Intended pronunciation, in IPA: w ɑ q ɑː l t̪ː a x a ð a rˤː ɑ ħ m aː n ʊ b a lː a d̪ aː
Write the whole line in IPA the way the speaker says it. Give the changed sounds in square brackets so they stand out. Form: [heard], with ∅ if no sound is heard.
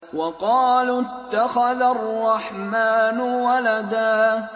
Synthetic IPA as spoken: w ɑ q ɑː l t̪ː a x a ð a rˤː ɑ ħ m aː n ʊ [w] a [l] a d̪ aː